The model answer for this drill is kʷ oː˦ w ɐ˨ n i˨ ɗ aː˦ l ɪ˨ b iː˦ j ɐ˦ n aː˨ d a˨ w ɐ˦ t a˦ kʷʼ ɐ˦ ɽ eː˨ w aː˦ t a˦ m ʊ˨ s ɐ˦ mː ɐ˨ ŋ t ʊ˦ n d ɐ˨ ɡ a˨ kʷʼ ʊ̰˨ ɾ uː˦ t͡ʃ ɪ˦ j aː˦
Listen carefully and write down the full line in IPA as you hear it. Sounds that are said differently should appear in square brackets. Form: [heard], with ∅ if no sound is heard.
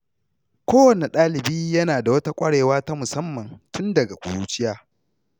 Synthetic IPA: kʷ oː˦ w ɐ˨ n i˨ ɗ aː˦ l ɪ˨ b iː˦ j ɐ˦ n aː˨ d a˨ w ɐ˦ t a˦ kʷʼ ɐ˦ ɽ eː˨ w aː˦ t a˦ m ʊ˨ s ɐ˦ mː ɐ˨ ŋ t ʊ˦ n d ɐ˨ ɡ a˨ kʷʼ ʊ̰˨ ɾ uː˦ t͡ʃ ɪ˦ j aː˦